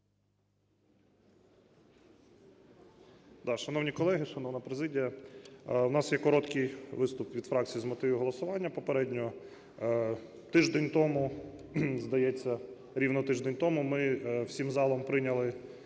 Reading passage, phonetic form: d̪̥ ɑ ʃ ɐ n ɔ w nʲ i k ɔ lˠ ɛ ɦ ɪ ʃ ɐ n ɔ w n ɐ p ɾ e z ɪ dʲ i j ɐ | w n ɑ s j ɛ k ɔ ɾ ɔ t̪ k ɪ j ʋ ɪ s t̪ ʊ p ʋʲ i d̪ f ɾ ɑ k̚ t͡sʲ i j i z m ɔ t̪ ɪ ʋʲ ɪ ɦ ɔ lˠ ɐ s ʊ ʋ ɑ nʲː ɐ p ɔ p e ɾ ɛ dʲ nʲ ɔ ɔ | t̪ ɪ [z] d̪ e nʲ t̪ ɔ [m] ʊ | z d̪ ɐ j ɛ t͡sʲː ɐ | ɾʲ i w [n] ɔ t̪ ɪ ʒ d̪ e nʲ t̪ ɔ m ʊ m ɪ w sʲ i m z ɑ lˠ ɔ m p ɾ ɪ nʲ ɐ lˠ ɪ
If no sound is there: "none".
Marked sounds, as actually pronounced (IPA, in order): ʒ, m, n

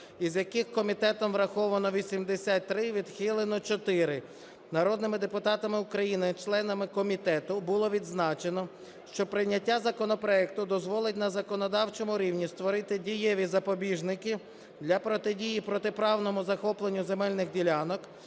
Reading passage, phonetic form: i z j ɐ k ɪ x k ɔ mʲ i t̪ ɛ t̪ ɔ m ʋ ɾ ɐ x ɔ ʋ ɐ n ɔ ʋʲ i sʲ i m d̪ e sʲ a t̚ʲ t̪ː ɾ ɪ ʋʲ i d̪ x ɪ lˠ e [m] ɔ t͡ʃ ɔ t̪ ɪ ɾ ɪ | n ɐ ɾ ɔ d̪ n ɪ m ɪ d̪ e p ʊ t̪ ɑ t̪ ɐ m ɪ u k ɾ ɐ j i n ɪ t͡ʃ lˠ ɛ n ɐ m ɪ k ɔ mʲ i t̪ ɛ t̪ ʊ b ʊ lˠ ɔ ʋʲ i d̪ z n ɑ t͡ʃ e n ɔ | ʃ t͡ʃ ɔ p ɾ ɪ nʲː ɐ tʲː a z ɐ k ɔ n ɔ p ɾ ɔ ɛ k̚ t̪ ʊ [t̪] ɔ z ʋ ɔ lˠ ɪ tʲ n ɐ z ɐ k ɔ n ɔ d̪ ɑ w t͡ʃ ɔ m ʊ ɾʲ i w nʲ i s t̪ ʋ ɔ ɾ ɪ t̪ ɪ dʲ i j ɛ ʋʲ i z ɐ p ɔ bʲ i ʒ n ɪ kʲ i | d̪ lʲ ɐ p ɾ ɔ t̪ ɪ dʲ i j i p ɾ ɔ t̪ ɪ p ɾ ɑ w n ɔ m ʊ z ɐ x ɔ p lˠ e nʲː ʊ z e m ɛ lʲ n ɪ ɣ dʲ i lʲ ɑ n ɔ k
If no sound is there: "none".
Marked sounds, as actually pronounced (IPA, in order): n, d̪

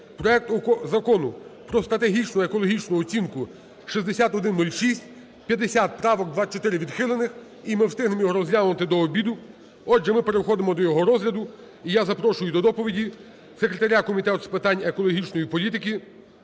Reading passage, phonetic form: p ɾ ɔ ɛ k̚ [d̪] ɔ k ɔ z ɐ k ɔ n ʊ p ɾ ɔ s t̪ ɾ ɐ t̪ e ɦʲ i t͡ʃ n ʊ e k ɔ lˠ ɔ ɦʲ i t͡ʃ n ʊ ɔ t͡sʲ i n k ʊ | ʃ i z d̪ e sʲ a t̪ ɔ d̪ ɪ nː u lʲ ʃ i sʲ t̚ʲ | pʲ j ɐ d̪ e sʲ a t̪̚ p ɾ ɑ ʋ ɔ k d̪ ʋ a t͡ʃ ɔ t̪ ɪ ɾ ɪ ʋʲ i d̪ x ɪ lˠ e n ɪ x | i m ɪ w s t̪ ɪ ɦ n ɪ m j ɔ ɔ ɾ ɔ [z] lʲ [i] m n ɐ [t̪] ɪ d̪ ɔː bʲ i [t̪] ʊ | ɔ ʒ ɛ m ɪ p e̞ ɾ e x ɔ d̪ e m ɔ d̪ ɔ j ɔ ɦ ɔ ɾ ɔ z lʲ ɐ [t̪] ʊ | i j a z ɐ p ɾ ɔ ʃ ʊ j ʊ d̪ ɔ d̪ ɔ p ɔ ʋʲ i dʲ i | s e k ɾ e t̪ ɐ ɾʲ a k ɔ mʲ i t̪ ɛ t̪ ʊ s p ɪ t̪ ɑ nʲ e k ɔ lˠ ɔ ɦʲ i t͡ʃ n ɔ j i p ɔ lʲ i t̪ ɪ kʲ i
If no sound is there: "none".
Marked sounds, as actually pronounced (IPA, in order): t̪, z, a, t̪, d̪, d̪

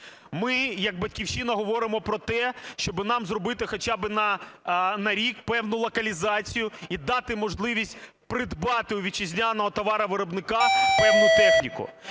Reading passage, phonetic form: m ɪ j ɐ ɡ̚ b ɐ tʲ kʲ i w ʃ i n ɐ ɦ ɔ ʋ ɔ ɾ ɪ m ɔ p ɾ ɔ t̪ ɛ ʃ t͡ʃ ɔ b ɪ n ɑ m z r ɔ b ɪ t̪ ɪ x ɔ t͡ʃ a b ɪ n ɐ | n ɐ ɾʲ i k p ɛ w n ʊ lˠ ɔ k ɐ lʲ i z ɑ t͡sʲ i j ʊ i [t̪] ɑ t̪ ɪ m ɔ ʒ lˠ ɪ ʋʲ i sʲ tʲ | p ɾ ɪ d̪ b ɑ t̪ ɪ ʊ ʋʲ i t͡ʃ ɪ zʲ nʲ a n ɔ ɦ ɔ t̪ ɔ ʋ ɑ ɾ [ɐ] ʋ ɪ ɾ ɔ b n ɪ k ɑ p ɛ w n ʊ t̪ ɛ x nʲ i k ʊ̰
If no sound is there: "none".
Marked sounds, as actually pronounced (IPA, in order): d̪, ɐ

